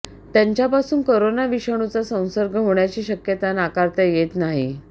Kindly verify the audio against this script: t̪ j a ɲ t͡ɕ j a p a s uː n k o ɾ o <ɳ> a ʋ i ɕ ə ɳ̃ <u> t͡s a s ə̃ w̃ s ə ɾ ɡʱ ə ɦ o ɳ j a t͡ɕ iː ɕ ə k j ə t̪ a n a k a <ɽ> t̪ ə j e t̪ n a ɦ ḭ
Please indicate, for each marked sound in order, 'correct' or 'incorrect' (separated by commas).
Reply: incorrect, correct, incorrect